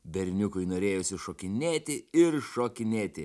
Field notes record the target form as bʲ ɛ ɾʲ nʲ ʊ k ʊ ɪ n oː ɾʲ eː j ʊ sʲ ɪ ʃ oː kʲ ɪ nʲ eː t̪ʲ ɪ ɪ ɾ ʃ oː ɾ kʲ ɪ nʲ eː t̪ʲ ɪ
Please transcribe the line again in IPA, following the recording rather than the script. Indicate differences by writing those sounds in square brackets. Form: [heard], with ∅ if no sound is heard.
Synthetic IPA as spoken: bʲ ɛ ɾʲ nʲ ʊ k ʊ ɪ n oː ɾʲ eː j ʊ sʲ ɪ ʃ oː kʲ ɪ nʲ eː t̪ʲ ɪ ɪ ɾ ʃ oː [∅] kʲ ɪ nʲ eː t̪ʲ ɪ

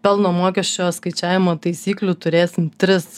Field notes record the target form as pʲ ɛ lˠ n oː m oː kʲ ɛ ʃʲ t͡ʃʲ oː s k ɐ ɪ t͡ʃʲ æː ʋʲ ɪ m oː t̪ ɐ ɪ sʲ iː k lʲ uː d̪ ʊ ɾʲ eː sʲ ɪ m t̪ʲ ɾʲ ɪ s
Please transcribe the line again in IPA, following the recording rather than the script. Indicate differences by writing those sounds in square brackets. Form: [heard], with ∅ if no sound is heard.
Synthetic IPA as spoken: pʲ ɛ lˠ n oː m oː kʲ ɛ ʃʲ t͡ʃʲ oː s k ɐ ɪ t͡ʃʲ æː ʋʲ ɪ m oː t̪ ɐ ɪ sʲ iː k lʲ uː [t̪] ʊ ɾʲ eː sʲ ɪ m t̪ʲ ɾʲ ɪ s

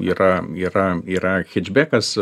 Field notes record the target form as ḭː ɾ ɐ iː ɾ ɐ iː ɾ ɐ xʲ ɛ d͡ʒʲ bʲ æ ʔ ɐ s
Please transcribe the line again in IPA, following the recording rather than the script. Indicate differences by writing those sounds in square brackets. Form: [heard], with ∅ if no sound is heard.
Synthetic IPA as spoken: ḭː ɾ ɐ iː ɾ ɐ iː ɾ ɐ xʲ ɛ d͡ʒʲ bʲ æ [k] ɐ s

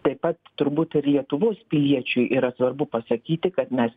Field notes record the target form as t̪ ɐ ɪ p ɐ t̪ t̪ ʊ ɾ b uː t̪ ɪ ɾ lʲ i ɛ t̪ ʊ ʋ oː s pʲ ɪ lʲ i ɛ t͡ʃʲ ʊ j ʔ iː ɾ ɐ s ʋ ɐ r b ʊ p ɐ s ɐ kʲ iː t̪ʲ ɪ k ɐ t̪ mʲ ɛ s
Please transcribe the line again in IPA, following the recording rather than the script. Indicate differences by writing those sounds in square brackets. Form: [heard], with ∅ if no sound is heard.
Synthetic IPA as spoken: t̪ ɐ ɪ p ɐ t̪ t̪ ʊ ɾ b uː t̪ ɪ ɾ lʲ i ɛ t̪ ʊ ʋ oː s pʲ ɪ lʲ i ɛ t͡ʃʲ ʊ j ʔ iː ɾ ɐ s ʋ ɐ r b ʊ p ɐ s ɐ kʲ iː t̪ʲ ɪ k ɐ t̪ mʲ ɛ s

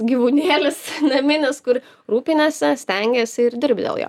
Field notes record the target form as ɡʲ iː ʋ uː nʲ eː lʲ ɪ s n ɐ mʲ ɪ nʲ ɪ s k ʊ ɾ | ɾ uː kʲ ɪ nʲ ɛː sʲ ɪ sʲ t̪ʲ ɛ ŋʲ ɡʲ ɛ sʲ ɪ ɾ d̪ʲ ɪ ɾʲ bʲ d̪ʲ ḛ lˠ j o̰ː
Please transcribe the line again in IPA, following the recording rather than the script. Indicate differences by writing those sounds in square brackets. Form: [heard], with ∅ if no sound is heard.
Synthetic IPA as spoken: ɡʲ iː ʋ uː nʲ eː lʲ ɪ s n ɐ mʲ ɪ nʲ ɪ s k ʊ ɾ | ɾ uː [pʲ] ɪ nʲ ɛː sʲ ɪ sʲ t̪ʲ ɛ ŋʲ ɡʲ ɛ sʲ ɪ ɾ d̪ʲ ɪ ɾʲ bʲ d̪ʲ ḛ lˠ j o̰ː

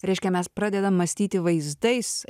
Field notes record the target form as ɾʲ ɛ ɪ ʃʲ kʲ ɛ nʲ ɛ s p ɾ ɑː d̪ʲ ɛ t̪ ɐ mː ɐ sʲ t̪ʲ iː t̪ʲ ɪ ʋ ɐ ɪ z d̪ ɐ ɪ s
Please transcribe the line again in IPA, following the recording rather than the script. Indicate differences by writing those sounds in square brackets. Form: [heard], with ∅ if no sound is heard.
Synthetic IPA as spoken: ɾʲ ɛ ɪ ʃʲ kʲ ɛ [mʲ] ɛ s p ɾ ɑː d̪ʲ ɛ [d̪] ɐ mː ɐ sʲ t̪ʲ iː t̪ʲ ɪ ʋ ɐ ɪ z d̪ ɐ ɪ s

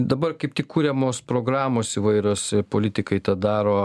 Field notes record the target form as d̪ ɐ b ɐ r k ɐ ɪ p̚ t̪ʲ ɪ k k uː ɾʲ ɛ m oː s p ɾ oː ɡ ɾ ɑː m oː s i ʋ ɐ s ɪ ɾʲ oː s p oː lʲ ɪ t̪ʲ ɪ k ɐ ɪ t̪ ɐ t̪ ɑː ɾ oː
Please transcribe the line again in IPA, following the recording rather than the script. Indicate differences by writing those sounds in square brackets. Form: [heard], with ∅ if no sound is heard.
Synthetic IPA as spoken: d̪ ɐ b ɐ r k ɐ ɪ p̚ t̪ʲ ɪ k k uː ɾʲ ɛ m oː s p ɾ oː ɡ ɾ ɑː m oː s i ʋ ɐ [∅] ɪ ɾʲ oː s p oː lʲ ɪ t̪ʲ ɪ k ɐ ɪ t̪ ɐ [d̪] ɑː ɾ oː

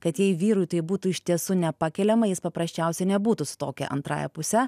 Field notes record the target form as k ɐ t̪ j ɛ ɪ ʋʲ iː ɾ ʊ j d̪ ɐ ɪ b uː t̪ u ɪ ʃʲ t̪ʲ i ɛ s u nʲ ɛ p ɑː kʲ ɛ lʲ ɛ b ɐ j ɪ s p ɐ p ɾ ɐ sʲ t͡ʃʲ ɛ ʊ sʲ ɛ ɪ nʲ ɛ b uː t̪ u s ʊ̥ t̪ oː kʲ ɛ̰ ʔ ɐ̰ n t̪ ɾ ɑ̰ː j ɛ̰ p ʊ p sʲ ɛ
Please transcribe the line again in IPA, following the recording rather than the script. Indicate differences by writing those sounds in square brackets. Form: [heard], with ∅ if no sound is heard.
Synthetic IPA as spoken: k ɐ t̪ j ɛ ɪ ʋʲ iː ɾ ʊ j [t̪] ɐ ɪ b uː t̪ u ɪ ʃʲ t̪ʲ i ɛ s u nʲ ɛ p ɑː kʲ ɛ lʲ ɛ [m] ɐ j ɪ s p ɐ p ɾ ɐ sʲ t͡ʃʲ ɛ ʊ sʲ ɛ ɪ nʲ ɛ b uː t̪ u s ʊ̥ t̪ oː kʲ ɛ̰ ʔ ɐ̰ n t̪ ɾ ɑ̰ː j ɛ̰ p ʊ [∅] sʲ ɛ

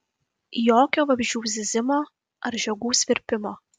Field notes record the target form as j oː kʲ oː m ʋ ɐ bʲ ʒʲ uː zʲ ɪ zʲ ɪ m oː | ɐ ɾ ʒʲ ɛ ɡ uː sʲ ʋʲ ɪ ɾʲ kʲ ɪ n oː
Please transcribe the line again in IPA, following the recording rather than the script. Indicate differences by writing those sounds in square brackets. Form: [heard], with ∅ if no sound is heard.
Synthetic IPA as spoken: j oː kʲ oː [∅] ʋ ɐ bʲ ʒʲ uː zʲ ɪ zʲ ɪ m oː | ɐ ɾ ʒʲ ɛ ɡ uː sʲ ʋʲ ɪ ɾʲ [pʲ] ɪ [m] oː

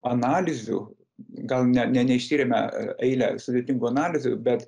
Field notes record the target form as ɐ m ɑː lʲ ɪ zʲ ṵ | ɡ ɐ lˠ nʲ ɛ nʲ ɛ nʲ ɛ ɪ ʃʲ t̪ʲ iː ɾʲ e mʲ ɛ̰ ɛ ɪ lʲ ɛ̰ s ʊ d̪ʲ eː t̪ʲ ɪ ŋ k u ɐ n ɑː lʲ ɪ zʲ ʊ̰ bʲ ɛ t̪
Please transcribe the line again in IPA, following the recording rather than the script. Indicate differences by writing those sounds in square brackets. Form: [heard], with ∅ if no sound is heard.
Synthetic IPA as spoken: ɐ [n] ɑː lʲ ɪ zʲ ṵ | ɡ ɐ lˠ nʲ ɛ nʲ ɛ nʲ ɛ ɪ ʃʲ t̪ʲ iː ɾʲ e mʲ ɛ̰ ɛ ɪ lʲ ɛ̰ s ʊ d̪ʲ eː t̪ʲ ɪ ŋ [ɡ] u ɐ n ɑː lʲ ɪ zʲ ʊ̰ bʲ ɛ t̪

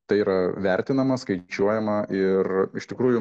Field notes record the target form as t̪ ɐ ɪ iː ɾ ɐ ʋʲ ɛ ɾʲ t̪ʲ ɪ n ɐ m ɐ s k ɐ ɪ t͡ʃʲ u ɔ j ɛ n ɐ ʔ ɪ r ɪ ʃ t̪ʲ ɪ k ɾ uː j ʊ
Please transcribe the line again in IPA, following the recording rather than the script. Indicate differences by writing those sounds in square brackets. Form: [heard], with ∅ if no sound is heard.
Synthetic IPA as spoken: t̪ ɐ ɪ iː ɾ ɐ ʋʲ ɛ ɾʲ t̪ʲ ɪ n ɐ m ɐ s k ɐ ɪ t͡ʃʲ u ɔ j ɛ [m] ɐ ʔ ɪ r ɪ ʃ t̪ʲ ɪ k ɾ uː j ʊ

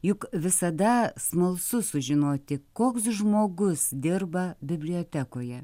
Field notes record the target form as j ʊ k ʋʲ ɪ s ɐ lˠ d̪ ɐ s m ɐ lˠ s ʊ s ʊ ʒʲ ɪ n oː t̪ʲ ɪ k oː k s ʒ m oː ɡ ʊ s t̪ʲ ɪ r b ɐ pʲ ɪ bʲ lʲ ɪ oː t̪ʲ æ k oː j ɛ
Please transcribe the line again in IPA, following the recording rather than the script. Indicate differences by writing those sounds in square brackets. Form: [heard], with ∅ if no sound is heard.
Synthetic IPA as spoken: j ʊ k ʋʲ ɪ s ɐ [∅] d̪ ɐ s m ɐ lˠ s ʊ s ʊ ʒʲ ɪ n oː t̪ʲ ɪ k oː k s ʒ m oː ɡ ʊ s [d̪ʲ] ɪ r b ɐ [bʲ] ɪ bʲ lʲ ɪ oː t̪ʲ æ k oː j ɛ

